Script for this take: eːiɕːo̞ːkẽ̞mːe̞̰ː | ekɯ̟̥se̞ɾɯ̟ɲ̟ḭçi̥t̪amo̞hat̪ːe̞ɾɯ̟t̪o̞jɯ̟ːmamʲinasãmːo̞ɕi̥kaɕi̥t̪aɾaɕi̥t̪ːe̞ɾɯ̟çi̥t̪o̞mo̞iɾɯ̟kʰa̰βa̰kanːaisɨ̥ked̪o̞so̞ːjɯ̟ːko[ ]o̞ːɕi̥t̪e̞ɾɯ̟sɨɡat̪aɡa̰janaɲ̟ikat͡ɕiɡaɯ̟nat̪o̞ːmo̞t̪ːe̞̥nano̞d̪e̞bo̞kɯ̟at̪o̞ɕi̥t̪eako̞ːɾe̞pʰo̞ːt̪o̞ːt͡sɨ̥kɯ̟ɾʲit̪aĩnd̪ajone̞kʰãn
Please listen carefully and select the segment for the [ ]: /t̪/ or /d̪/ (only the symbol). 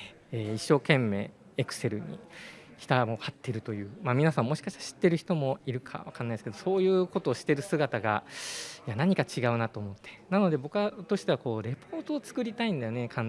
t̪